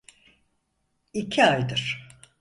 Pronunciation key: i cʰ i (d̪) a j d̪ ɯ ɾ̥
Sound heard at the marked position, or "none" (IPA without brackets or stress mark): none